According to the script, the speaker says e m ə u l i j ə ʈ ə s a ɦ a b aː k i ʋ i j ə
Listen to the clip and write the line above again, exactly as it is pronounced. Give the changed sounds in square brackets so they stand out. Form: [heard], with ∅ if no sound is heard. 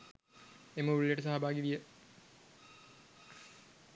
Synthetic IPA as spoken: e m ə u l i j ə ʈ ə s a ɦ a b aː [ɡ] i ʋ i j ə